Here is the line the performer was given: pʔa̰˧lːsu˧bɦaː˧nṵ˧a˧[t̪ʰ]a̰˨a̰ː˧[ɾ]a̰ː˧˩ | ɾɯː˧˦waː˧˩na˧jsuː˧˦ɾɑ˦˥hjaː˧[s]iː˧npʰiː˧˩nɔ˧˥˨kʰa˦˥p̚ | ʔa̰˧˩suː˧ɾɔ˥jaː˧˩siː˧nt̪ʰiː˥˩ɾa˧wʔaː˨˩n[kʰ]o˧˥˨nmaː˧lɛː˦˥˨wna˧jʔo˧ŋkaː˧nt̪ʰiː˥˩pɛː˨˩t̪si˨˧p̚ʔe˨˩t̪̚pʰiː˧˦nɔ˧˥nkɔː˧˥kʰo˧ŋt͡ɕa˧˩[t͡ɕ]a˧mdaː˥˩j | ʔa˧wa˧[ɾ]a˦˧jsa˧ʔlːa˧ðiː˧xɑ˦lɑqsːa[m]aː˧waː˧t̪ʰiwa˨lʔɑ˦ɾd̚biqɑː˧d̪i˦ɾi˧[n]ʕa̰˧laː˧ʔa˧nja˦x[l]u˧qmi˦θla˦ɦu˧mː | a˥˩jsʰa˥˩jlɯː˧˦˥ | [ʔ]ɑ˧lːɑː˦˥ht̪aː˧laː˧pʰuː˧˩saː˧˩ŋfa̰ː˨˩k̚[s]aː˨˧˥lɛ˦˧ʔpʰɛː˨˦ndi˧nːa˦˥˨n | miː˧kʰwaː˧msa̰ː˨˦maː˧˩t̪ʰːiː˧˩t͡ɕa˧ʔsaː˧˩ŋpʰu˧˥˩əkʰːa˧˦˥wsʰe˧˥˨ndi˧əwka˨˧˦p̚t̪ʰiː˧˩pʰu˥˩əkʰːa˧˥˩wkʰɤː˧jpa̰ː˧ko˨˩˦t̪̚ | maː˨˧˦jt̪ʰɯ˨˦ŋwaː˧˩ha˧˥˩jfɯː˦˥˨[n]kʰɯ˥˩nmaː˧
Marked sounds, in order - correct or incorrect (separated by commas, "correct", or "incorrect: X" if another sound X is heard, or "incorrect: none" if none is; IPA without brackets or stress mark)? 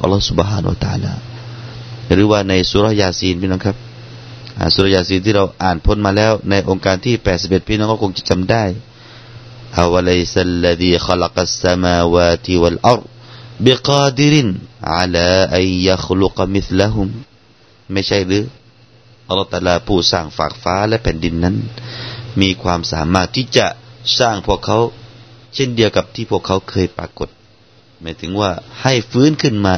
incorrect: t̪, incorrect: l, correct, incorrect: pʰ, correct, incorrect: l, correct, correct, correct, correct, incorrect: f, correct